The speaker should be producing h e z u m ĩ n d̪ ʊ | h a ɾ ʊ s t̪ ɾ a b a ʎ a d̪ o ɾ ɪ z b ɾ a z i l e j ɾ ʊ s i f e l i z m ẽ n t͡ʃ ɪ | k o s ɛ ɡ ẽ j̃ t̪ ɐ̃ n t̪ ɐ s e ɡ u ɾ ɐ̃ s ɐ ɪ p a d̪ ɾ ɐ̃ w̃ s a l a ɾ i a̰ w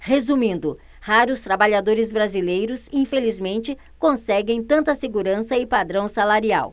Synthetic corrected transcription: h e z u m ĩ n d̪ ʊ | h a ɾ ʊ s t̪ ɾ a b a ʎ a d̪ o ɾ ɪ z b ɾ a z i l e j ɾ ʊ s ĩ f e l i z m ẽ n t͡ʃ ɪ | k õ s ɛ ɡ ẽ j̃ t̪ ɐ̃ n t̪ ɐ s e ɡ u ɾ ɐ̃ s ɐ ɪ p a d̪ ɾ ɐ̃ w̃ s a l a ɾ i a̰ w

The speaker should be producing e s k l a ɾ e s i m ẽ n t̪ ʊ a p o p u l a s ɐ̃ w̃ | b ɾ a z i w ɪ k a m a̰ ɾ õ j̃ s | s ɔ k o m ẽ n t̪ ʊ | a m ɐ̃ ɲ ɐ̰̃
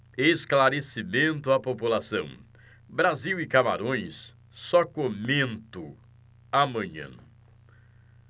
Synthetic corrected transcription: e s k l a ɾ e s i m ẽ n t̪ ʊ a p o p u l a s ɐ̃ w̃ | b ɾ a z i w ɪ k a m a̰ ɾ õ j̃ s | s ɔ k o m ẽ n t̪ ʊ | a m ɐ̃ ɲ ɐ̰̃

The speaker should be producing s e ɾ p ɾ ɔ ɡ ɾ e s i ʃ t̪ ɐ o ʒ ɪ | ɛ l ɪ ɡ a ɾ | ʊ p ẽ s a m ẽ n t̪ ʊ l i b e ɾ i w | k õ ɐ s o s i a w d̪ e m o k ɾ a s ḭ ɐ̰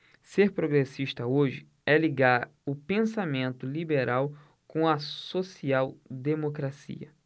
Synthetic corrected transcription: s e ɾ p ɾ o ɡ ɾ e s i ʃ t̪ ɐ o ʒ ɪ | ɛ l i ɡ a ɾ | ʊ p ẽ s a m ẽ n t̪ ʊ l i b e ɾ a w | k õ ɐ s o s i a w d̪ e m o k ɾ a s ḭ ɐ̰

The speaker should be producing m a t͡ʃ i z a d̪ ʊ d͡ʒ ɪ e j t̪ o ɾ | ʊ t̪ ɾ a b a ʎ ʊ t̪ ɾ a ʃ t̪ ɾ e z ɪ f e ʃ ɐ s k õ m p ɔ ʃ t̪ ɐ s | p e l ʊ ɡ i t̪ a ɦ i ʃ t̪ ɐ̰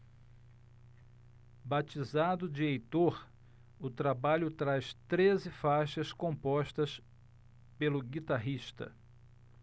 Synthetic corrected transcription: b a t͡ʃ i z a d̪ ʊ d͡ʒ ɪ e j t̪ o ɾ | ʊ t̪ ɾ a b a ʎ ʊ t̪ ɾ a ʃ t̪ ɾ e z ɪ f a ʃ ɐ s k õ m p ɔ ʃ t̪ ɐ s | p e l ʊ ɡ i t̪ a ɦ i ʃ t̪ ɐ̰

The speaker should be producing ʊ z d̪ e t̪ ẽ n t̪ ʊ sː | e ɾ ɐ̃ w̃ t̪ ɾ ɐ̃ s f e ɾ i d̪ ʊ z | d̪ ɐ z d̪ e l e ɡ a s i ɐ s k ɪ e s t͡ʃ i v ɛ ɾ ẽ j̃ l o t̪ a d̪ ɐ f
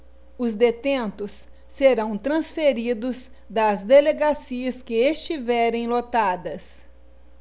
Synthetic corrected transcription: ʊ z d̪ e t̪ ẽ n t̪ ʊ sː | e ɾ ɐ̃ w̃ t̪ ɾ ɐ̃ s f e ɾ i d̪ ʊ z | d̪ ɐ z d̪ e l e ɡ a s i ɐ s k ɪ e s t͡ʃ i v ɛ ɾ ẽ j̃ l o t̪ a d̪ ɐ s

